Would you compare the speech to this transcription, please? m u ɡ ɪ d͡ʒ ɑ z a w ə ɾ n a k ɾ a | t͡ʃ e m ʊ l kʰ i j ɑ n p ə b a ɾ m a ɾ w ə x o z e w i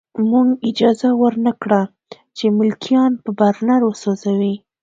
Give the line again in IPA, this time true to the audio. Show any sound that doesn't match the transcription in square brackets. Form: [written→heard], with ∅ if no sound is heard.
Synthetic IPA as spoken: m u ɡ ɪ d͡ʒ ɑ z a w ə ɾ n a k [ɾ→ɽ] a | t͡ʃ e m ʊ l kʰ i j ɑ n p ə b a ɾ [m→n] a ɾ w ə [x→s] o z [e→a] w i